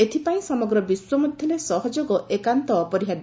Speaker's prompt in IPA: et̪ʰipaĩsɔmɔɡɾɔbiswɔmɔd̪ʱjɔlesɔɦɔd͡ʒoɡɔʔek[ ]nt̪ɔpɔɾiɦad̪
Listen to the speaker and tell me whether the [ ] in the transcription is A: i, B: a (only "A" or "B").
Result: B